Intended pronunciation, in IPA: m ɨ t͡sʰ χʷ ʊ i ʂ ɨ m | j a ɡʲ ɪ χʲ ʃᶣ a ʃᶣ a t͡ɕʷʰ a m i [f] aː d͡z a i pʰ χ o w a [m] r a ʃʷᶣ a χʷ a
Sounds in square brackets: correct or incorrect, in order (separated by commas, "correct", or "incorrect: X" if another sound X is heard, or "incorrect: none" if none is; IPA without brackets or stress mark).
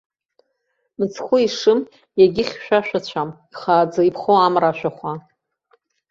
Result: incorrect: χ, correct